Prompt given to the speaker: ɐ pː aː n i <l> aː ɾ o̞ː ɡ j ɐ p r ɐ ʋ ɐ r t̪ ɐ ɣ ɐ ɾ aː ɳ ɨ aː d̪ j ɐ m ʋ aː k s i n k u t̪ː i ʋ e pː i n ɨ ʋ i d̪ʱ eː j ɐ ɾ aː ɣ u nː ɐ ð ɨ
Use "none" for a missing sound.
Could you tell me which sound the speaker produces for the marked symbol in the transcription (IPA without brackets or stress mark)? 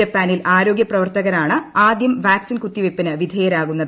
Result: l